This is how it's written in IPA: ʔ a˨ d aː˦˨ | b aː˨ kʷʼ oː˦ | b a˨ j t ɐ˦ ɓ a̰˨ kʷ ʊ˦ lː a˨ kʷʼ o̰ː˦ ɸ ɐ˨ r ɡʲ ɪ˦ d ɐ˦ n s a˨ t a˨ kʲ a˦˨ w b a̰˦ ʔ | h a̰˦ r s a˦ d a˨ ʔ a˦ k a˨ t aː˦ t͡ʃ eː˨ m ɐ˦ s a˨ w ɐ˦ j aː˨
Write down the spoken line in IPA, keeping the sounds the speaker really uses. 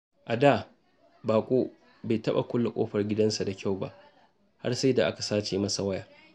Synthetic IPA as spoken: ʔ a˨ d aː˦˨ | b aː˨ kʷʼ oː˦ | b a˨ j t ɐ˦ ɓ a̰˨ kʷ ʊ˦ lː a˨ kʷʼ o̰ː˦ ɸ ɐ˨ r ɡʲ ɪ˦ d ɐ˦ n s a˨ d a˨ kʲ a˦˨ w b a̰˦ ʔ | h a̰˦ r s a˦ d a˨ ʔ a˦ k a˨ s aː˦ t͡ʃ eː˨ m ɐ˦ s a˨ w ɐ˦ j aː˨